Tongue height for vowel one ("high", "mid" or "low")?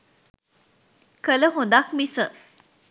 mid